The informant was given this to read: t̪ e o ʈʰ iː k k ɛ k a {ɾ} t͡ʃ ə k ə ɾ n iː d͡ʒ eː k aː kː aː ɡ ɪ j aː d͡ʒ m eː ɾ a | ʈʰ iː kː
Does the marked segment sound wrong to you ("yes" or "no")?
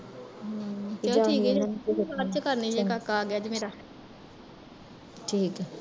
no